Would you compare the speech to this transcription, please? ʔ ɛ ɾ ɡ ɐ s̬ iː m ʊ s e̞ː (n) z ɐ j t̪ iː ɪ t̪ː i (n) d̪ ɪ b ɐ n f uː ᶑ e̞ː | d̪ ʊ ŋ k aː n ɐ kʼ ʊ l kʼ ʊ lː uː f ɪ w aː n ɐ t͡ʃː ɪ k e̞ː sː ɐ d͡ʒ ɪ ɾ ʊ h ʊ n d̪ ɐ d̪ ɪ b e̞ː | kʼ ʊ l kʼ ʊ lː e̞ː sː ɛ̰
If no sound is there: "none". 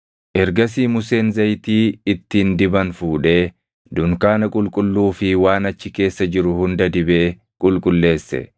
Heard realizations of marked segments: n, n

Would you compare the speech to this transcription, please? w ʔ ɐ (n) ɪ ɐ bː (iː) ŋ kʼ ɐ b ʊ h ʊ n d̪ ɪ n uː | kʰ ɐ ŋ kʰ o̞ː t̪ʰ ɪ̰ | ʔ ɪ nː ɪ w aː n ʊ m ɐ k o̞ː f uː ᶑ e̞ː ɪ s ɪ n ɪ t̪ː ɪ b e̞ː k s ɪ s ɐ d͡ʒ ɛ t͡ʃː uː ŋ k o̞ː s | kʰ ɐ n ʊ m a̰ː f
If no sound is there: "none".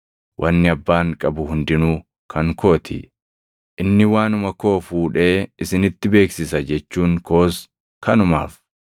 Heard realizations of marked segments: nː, aː

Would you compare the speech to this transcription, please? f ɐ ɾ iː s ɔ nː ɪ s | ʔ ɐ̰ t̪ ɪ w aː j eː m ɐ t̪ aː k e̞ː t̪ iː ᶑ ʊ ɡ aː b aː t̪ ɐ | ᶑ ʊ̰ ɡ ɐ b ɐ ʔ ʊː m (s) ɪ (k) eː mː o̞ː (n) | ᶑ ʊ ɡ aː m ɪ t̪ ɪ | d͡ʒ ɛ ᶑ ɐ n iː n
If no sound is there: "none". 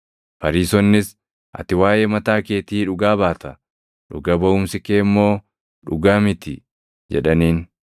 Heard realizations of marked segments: s, k, none

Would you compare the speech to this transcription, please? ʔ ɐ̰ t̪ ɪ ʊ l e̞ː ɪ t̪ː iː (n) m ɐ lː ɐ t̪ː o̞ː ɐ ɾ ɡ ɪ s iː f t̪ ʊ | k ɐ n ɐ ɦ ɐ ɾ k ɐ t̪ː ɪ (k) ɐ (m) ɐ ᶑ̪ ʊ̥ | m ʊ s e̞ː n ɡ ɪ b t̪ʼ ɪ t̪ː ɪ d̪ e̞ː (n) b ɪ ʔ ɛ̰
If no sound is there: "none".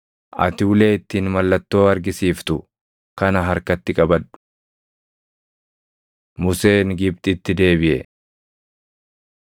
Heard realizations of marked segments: n, kʼ, b, none

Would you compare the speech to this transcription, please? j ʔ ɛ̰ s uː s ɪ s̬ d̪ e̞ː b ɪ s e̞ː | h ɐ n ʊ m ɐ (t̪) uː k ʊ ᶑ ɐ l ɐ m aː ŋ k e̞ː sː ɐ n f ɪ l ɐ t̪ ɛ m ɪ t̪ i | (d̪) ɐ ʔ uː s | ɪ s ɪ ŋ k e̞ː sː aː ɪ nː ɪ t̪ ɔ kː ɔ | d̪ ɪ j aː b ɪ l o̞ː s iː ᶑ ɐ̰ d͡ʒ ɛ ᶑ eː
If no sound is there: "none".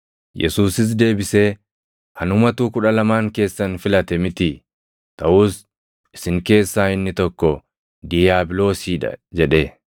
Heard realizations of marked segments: t̪, t̪

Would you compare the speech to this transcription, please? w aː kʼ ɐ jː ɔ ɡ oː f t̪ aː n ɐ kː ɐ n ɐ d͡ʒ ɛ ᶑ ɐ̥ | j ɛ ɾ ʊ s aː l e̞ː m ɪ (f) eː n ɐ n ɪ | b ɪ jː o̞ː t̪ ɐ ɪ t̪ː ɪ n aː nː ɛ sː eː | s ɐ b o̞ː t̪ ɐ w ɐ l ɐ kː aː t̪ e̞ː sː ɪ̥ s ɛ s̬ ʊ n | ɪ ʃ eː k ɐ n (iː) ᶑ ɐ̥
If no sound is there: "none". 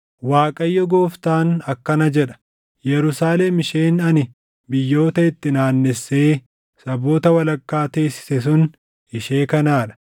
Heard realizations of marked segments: ʃ, aː

